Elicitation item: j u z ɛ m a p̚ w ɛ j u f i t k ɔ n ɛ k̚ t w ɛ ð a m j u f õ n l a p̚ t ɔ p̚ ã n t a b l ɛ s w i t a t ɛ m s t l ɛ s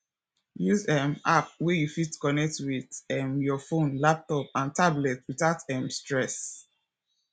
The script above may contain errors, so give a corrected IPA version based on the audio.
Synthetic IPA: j u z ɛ m a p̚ w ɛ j u f i t k ɔ n ɛ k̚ t w i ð ɛ m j ɔ f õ n l a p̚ t ɔ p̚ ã n t a b l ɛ t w i t a t ɛ m s t ɹ ɛ s